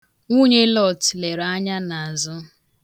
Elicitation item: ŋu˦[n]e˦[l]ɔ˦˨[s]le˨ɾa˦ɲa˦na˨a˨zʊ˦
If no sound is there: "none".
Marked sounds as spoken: ɲ, l, t

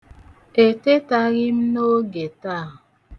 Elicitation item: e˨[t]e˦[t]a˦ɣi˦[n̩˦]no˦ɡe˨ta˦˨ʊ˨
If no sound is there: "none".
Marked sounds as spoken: t, t, m̩˦

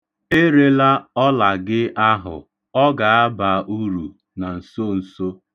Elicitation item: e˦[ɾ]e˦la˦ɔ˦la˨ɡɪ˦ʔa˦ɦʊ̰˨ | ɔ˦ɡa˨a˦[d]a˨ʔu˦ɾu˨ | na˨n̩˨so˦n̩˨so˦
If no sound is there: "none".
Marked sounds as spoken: ɾ, b

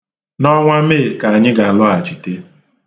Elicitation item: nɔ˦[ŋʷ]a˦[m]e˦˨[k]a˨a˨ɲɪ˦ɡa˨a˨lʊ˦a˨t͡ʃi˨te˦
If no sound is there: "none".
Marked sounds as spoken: ŋʷ, m, k

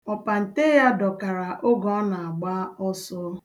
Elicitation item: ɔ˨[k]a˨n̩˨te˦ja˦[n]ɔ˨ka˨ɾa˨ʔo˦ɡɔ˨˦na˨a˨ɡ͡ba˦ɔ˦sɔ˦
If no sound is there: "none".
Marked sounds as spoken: p, d

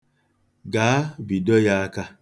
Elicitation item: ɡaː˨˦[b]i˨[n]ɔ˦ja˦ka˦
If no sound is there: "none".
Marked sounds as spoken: b, d

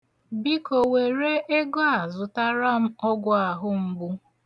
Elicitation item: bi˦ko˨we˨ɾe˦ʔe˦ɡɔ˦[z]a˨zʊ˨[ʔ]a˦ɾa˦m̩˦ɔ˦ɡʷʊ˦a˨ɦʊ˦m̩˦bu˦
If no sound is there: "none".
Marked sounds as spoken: none, t

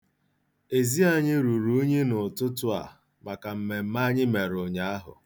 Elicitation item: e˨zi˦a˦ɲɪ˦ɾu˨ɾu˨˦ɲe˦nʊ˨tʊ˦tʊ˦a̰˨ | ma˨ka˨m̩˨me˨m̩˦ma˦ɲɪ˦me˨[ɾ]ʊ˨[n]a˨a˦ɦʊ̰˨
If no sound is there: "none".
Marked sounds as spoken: ɾ, ɲ

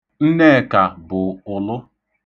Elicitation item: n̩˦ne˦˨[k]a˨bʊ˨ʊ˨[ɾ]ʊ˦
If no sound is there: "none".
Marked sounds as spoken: k, l

